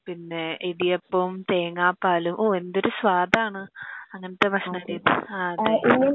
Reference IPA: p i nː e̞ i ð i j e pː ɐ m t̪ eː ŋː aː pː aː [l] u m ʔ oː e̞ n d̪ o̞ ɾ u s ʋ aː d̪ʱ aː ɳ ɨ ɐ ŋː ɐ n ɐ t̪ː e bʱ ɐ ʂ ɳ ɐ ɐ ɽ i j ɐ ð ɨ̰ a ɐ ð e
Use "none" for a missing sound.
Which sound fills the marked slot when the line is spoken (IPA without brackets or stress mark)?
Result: l